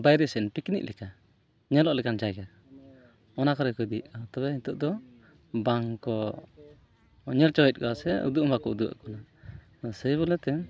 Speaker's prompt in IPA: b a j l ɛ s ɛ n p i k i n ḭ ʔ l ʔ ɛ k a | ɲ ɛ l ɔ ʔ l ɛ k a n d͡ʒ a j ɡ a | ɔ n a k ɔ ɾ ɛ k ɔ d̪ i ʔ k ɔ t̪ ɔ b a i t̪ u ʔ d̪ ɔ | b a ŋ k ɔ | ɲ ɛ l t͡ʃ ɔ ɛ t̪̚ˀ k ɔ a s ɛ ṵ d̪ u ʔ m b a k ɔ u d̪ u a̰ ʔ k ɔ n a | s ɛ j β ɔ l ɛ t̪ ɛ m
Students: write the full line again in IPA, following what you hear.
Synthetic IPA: b a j ɾ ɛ s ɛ n p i k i n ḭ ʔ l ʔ ɛ k a | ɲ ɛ l ɔ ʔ l ɛ k a n d͡ʒ a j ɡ a | ɔ n a k ɔ ɾ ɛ k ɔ d̪ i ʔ k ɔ t̪ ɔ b ɛ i t̪ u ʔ d̪ ɔ | b a ŋ k ɔ | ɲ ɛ l t͡ʃ ɔ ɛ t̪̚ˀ k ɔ a s ɛ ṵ d̪ u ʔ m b a k ɔ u d̪ u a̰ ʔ k ɔ n a | s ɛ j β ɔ l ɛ t̪ ɛ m